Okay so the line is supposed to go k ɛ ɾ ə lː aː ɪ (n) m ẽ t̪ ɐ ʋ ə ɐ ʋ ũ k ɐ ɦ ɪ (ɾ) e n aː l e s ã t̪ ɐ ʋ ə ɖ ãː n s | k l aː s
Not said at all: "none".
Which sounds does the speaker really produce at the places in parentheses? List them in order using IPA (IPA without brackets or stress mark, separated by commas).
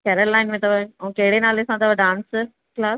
n, ɽ